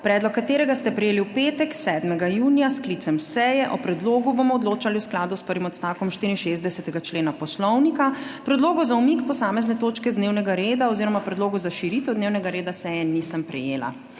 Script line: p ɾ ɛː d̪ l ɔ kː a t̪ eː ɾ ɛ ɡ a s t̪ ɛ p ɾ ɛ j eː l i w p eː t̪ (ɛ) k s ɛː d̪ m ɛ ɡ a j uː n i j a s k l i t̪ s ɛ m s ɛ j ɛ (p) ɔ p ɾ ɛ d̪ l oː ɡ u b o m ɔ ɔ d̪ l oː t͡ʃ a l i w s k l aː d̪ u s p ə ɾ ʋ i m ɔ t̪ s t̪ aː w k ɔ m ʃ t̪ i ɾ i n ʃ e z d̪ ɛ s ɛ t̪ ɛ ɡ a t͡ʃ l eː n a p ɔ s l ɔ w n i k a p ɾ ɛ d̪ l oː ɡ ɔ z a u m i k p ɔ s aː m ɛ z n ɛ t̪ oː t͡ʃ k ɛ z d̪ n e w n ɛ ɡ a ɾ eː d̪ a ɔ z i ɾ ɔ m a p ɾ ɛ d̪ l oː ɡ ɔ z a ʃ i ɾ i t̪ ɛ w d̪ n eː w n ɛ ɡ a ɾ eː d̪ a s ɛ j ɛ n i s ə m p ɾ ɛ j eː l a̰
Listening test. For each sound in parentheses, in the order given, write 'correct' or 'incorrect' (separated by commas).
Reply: correct, incorrect